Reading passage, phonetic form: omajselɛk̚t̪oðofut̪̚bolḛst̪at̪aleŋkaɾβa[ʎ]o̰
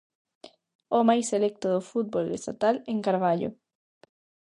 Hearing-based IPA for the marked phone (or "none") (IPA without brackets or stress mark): ʎ